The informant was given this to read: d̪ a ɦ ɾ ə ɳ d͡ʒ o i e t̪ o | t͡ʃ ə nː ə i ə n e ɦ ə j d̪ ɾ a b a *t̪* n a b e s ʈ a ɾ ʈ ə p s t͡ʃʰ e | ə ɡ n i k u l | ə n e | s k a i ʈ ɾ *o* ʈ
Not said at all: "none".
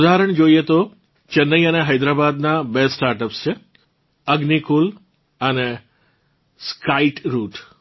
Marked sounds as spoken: d̪, u

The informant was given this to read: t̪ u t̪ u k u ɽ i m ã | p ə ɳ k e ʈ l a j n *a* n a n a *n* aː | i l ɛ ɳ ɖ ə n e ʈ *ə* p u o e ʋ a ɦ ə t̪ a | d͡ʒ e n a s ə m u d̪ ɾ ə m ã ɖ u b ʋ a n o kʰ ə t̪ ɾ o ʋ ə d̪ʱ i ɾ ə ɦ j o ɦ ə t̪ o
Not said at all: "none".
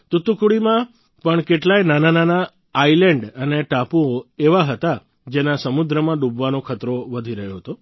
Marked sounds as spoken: a, n, a

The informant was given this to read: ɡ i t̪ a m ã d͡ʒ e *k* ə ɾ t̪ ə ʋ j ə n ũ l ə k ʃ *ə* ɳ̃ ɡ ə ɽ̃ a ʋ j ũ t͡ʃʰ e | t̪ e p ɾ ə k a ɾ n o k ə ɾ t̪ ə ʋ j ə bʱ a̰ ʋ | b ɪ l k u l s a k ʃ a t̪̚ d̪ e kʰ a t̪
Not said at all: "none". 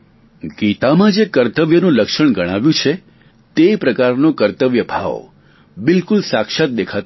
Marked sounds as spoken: k, ə

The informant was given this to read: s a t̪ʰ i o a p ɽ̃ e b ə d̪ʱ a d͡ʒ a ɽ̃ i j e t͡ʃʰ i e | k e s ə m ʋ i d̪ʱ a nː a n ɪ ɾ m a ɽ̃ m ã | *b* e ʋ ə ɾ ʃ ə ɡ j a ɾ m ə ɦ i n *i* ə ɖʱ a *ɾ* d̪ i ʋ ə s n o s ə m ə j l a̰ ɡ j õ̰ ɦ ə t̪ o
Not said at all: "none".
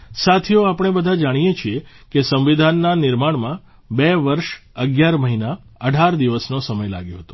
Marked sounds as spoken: b, a, ɾ

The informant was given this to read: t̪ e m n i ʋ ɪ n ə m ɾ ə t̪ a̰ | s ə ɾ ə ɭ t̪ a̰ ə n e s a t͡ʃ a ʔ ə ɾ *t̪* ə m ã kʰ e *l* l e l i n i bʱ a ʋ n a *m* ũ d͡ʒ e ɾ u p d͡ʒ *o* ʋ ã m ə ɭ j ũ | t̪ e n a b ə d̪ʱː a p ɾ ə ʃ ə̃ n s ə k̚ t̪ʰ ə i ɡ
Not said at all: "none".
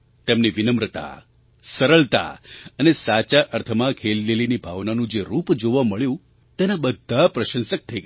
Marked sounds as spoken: t̪ʰ, l, n, o

